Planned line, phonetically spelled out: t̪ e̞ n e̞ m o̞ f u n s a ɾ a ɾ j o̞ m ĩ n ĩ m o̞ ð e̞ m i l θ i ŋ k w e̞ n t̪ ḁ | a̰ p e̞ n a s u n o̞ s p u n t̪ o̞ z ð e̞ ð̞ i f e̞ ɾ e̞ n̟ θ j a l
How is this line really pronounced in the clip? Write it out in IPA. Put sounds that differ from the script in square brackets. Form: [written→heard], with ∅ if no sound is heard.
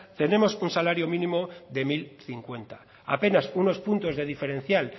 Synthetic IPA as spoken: t̪ e̞ n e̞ m o̞ [f→s] u n s a [ɾ→l] a ɾ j o̞ m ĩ n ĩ m o̞ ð e̞ m i l θ i ŋ k w e̞ n t̪ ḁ | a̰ p e̞ n a s u n o̞ s p u n t̪ o̞ z ð e̞ ð̞ i f e̞ ɾ e̞ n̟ θ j a l